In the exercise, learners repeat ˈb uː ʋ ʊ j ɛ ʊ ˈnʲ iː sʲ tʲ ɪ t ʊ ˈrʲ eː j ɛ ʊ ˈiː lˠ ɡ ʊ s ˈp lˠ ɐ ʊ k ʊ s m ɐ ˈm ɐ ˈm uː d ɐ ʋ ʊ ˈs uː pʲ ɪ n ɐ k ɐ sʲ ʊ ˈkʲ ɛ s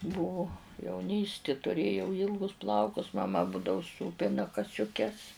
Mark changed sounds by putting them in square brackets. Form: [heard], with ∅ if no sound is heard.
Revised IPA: ˈb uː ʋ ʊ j ɛ ʊ ˈnʲ iː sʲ tʲ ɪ t ʊ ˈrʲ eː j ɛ ʊ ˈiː lˠ ɡ ʊ s ˈp lˠ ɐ ʊ k ʊ s m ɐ ˈm ɐ [ˈb] uː d ɐ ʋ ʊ ˈs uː pʲ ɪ n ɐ k ɐ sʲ ʊ ˈkʲ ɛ s